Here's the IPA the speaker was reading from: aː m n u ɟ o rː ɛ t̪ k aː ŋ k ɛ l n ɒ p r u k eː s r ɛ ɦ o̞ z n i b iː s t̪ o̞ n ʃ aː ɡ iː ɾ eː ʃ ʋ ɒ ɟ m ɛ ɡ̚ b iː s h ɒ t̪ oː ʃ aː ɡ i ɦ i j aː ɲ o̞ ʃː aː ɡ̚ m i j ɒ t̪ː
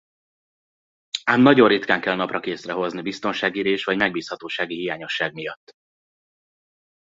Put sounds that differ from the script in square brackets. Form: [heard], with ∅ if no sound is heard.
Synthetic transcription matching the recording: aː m n [ɒ] ɟ o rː [i] t̪ k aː ŋ k ɛ l n ɒ p r [ɒ] k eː s r ɛ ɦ o̞ z n i b [i] s t̪ o̞ n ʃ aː ɡ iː ɾ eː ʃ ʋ ɒ ɟ m ɛ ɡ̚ b iː s h ɒ t̪ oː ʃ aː ɡ i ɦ i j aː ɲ o̞ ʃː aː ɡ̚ m i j ɒ t̪ː